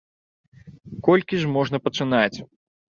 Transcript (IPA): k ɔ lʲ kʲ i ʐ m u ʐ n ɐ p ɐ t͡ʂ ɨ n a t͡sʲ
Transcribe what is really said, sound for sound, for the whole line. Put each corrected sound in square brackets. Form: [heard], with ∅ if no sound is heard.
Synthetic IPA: k ɔ lʲ kʲ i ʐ m [ɔ] ʐ n ɐ p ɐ t͡ʂ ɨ n a t͡sʲ